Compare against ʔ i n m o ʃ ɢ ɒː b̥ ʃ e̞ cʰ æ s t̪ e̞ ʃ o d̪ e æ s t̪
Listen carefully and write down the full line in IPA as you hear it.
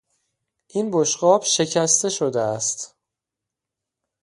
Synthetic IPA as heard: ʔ i n b o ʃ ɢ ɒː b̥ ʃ e̞ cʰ æ s t̪ e̞ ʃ o d̪ e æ s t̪